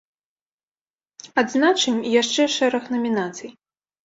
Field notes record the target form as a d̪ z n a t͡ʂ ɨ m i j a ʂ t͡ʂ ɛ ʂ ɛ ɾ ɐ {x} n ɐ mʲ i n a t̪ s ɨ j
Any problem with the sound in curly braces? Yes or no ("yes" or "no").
no